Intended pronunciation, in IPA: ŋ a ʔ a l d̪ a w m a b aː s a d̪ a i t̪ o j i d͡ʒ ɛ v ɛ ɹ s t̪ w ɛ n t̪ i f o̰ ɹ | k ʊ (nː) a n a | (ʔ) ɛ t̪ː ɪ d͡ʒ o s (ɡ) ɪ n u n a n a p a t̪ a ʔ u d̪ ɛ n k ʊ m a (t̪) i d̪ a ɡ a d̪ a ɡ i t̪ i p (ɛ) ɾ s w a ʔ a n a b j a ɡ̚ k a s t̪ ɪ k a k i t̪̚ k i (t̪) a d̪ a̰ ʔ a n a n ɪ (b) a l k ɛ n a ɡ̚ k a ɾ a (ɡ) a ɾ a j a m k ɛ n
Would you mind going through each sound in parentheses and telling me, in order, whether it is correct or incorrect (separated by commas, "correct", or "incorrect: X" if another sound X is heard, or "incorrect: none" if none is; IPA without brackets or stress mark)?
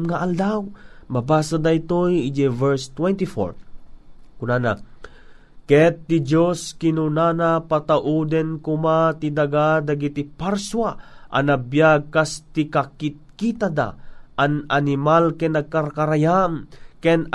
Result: incorrect: n, incorrect: k, incorrect: k, correct, incorrect: a, correct, incorrect: m, incorrect: k